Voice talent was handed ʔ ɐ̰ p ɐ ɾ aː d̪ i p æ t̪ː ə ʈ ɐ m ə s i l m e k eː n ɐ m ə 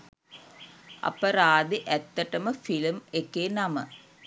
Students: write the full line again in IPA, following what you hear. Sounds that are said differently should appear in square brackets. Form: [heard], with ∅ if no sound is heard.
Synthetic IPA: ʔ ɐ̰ p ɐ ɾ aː d̪ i [ʔ] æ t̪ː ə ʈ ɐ m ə [f] i l m e k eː n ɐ m ə